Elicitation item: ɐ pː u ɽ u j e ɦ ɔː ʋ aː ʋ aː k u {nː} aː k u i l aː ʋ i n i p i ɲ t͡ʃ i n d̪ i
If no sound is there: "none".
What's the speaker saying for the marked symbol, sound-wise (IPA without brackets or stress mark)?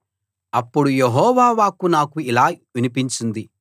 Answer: n